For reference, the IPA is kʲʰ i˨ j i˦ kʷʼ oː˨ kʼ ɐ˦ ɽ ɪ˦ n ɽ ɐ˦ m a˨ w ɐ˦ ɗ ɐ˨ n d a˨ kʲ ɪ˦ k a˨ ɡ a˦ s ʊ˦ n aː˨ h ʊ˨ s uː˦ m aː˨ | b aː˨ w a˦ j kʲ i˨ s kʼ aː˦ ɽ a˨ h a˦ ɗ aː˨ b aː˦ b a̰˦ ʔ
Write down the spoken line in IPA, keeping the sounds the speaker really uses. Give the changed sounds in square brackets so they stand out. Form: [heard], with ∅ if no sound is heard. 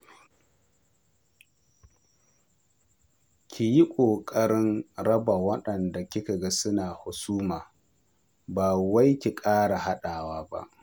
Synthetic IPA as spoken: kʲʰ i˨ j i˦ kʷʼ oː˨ kʼ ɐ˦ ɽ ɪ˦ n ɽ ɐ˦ [b] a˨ w ɐ˦ ɗ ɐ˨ n d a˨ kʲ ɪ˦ k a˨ ɡ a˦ s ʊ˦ n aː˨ h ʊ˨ s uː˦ m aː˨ | b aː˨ w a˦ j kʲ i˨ [∅] kʼ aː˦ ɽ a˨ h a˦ ɗ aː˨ [w] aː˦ b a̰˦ ʔ

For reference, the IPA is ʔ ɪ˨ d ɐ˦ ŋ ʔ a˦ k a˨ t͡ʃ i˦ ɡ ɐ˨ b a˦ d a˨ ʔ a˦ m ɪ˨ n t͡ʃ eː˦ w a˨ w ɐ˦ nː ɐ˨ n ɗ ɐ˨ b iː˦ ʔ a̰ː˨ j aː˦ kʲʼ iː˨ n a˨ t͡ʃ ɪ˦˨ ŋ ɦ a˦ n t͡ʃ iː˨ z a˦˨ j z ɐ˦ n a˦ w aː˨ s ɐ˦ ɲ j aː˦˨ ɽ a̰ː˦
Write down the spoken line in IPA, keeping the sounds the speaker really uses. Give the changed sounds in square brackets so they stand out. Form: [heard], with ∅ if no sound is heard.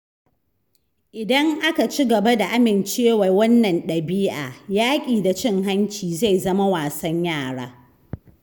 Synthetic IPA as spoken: ʔ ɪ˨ d ɐ˦ ŋ ʔ a˦ k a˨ t͡ʃ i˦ ɡ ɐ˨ b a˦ d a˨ ʔ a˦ m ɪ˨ n t͡ʃ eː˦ w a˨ w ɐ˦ nː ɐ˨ n ɗ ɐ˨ b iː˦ ʔ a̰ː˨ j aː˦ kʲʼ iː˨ [d] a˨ t͡ʃ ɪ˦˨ ŋ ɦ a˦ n t͡ʃ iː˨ z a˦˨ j z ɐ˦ [m] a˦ w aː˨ s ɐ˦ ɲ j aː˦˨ ɽ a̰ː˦

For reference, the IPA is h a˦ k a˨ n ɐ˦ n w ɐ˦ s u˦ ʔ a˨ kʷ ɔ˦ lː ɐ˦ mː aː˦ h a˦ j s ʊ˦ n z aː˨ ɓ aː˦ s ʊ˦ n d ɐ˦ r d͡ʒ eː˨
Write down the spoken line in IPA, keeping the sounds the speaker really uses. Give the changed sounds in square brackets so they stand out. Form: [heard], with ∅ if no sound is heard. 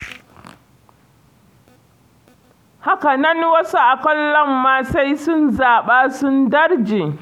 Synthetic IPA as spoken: h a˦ k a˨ n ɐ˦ n w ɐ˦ s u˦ ʔ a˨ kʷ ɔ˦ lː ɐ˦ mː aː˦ [s] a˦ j s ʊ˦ n z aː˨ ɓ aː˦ s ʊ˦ n d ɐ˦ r d͡ʒ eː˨

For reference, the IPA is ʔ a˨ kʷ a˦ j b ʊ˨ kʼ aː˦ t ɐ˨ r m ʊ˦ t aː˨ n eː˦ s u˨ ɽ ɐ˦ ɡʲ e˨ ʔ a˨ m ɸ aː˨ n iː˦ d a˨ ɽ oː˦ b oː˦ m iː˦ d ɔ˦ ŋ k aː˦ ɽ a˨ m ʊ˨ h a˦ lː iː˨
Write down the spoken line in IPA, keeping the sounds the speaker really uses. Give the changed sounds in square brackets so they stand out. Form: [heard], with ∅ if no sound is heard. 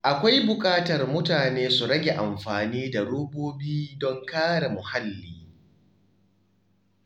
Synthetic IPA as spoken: ʔ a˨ kʷ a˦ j b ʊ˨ kʼ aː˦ t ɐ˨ r m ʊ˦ t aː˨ n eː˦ s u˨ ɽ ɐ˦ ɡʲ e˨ ʔ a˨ m ɸ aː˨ n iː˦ d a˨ ɽ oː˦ b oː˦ [b] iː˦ d ɔ˦ ŋ k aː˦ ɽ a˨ m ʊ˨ h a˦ lː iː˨

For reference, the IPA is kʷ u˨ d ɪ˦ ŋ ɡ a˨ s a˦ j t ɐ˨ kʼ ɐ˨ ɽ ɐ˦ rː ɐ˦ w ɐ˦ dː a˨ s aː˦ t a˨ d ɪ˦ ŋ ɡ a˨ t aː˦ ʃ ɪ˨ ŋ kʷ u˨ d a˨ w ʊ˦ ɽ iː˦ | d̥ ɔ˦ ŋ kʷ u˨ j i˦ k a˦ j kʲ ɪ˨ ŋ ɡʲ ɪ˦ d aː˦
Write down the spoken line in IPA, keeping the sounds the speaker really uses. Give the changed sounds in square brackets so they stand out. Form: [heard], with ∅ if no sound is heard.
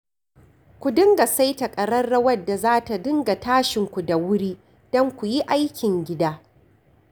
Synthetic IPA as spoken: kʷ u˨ d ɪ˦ ŋ ɡ a˨ s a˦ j t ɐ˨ kʼ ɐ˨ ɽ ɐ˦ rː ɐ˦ w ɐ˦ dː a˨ [z] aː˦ t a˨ d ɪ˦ ŋ ɡ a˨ t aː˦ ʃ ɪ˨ ŋ kʷ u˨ d a˨ w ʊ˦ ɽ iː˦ | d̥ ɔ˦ ŋ kʷ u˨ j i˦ [ʔ] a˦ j kʲ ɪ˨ ŋ ɡʲ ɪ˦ d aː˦

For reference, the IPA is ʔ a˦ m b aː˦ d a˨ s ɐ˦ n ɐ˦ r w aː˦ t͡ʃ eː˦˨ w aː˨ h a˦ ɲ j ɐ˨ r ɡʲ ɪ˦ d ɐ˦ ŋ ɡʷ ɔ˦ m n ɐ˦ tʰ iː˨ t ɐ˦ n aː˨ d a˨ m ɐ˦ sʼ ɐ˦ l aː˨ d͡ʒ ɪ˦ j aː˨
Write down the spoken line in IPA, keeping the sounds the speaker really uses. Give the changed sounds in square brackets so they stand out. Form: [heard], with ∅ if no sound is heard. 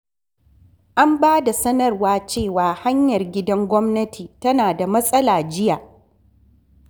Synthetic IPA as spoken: ʔ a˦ m b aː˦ d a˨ s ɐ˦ n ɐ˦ r w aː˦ t͡ʃ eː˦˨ w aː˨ h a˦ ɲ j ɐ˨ r ɡʲ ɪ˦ d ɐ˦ ŋ ɡʷ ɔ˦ m n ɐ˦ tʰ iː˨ t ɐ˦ n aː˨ d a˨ m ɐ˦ sʼ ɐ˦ l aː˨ d͡ʒ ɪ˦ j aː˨

